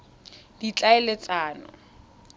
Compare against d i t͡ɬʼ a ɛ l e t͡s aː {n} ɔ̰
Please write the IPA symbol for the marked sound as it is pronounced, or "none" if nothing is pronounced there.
n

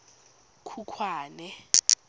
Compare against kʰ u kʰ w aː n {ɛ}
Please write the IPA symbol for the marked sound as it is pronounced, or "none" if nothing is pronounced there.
ɛ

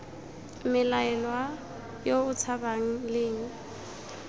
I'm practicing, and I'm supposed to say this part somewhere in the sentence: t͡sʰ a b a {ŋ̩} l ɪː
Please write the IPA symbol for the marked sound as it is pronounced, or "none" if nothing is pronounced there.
ŋ̩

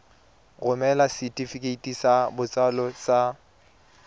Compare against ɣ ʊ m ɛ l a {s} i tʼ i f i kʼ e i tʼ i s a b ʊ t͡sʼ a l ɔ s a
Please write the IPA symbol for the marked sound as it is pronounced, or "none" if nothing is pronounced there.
s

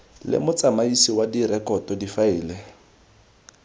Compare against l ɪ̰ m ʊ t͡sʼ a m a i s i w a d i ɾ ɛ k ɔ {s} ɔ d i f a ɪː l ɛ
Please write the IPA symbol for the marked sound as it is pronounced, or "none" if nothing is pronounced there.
t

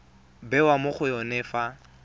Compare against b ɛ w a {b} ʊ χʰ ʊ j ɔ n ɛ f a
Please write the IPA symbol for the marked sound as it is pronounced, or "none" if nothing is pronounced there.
m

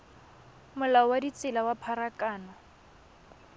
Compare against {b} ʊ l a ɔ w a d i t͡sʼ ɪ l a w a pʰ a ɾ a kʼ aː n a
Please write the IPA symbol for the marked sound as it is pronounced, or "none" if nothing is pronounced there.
m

